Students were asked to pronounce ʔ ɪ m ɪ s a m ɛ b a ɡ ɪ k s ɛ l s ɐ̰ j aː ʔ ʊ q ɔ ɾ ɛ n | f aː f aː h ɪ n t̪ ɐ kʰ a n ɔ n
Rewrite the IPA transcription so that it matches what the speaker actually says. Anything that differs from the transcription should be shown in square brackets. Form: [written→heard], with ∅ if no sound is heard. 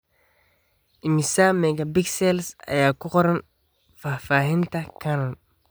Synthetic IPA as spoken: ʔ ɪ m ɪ s a m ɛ [b→ɡ] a [ɡ→b] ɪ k s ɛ l s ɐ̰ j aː [ʔ→k] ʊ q ɔ ɾ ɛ n | f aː f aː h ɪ n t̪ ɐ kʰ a n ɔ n